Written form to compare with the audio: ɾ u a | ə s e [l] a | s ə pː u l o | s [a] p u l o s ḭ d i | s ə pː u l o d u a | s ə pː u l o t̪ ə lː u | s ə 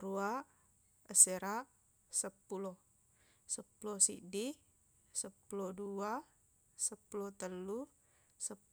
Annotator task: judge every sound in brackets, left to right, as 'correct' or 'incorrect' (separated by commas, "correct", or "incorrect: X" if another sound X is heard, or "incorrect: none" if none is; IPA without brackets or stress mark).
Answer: incorrect: ɾ, incorrect: ə